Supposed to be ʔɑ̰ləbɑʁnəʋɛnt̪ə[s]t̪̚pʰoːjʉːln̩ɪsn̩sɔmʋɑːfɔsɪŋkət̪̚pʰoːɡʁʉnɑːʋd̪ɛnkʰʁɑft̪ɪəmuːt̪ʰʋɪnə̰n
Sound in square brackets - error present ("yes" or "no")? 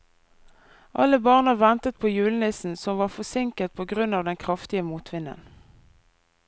yes